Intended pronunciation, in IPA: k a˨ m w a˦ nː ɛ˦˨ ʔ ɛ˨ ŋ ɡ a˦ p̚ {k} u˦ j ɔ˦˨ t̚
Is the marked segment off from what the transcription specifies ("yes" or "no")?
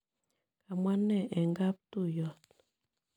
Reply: yes